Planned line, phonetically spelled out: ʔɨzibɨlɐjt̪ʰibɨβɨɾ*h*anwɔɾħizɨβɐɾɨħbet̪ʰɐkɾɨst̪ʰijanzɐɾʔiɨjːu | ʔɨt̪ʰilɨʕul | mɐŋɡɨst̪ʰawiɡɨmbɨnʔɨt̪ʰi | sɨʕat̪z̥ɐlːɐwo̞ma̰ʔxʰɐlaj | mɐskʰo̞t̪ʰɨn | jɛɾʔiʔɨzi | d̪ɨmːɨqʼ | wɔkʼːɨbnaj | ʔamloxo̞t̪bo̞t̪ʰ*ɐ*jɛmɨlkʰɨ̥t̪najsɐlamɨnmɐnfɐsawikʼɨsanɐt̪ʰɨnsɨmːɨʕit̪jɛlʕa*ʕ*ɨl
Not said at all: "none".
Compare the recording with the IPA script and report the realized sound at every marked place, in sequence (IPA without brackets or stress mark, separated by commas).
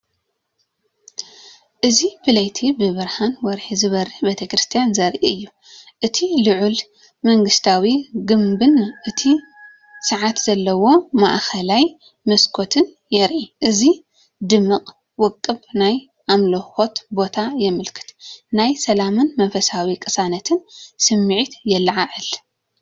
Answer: h, a, ʕ